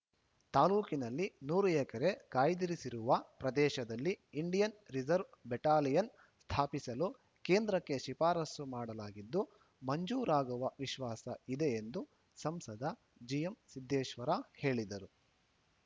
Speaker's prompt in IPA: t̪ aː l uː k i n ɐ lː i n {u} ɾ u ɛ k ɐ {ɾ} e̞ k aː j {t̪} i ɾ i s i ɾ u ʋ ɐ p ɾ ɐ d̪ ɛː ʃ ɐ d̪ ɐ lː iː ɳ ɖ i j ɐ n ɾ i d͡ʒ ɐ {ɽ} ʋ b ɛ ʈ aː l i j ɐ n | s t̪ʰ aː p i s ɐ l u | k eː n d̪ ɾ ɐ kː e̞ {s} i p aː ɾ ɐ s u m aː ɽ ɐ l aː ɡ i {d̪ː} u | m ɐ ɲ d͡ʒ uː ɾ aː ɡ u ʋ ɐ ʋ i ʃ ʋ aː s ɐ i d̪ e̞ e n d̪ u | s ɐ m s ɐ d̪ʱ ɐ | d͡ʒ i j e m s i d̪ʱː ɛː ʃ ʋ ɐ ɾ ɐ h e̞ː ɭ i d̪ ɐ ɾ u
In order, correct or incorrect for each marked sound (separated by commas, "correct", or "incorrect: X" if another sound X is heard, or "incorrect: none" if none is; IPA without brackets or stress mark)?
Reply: incorrect: uː, correct, incorrect: d̪, incorrect: ɾ, incorrect: ʃ, correct